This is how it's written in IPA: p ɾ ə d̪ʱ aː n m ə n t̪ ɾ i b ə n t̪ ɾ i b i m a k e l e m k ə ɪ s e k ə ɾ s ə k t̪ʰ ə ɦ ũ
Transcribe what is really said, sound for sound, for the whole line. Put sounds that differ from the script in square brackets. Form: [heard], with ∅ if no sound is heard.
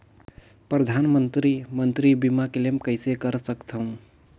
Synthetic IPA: p ɾ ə d̪ʱ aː n m ə n t̪ ɾ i [m] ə n t̪ ɾ i b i m a k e l e m k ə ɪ s e k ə ɾ s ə k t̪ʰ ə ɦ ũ